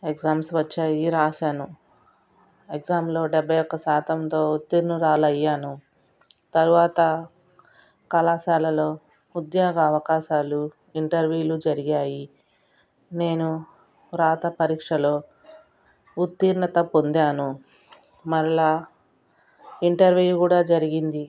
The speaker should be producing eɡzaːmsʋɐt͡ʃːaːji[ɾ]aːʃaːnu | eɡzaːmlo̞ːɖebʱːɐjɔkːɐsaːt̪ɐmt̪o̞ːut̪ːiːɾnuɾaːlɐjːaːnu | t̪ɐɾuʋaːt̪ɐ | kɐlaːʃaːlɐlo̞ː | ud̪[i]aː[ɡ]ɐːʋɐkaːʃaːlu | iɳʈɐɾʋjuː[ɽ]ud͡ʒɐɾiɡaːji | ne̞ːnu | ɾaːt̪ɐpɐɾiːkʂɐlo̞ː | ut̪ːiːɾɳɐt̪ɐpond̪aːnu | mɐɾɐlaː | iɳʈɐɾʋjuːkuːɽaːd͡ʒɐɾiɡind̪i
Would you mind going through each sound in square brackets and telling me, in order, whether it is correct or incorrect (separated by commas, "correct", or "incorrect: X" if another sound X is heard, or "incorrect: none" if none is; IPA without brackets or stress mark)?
correct, incorrect: j, correct, incorrect: l